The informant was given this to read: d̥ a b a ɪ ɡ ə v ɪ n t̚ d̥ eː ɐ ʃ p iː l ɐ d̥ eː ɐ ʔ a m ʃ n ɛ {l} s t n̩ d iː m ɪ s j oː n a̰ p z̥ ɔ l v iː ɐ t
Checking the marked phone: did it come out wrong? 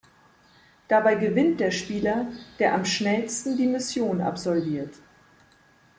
no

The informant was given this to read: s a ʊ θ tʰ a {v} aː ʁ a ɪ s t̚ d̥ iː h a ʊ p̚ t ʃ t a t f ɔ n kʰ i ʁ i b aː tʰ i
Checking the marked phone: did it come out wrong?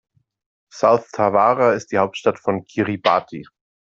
no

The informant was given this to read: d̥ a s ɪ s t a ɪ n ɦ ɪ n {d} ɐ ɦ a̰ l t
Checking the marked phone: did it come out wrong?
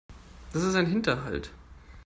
yes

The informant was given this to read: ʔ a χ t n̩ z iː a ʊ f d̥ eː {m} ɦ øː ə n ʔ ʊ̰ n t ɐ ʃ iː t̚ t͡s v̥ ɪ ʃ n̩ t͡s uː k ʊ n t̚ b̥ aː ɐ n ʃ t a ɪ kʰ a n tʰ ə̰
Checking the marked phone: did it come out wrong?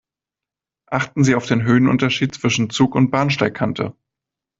yes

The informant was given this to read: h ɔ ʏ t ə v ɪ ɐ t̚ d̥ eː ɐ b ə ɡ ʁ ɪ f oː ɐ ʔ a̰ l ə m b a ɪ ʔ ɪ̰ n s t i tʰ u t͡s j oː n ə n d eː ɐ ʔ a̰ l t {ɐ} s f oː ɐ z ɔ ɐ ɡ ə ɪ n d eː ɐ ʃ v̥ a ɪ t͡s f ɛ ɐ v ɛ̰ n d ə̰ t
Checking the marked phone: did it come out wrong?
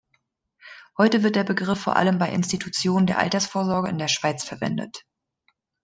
no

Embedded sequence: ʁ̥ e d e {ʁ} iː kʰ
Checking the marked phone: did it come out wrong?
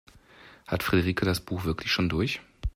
no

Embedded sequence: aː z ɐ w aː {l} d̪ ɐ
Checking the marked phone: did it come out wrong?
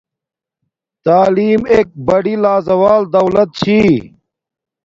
no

